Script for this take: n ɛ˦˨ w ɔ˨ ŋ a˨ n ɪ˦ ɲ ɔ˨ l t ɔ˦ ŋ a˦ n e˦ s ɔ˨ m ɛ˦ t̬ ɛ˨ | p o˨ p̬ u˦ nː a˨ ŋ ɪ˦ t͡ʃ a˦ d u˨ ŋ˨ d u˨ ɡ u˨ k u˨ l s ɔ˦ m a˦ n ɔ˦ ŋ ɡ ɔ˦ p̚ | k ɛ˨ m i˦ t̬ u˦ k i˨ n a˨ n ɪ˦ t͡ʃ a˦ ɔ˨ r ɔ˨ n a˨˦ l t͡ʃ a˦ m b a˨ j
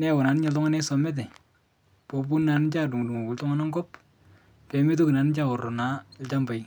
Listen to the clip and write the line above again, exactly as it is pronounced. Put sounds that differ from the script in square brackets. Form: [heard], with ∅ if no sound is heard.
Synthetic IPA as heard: n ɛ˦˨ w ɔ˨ [n] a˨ n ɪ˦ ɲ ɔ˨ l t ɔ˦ ŋ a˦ n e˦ s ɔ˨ m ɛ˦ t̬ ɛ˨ | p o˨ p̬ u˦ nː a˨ [n] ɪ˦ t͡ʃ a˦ d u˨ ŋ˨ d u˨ [ŋ] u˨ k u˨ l [t] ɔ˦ [ŋ] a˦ n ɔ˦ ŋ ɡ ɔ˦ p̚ | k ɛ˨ m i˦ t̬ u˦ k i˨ n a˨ n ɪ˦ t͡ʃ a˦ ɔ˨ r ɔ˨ n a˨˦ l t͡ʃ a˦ m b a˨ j